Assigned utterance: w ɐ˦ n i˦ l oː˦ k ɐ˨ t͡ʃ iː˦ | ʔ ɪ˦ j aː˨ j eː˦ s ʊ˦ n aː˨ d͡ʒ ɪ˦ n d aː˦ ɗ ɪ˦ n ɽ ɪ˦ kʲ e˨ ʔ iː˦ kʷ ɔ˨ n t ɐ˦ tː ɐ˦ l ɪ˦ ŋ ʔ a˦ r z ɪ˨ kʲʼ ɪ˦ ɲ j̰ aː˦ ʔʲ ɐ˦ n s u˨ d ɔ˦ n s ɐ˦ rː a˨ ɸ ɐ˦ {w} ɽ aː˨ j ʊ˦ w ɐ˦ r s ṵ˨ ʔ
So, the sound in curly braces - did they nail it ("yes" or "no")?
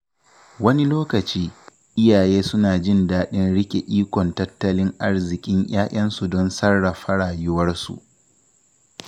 no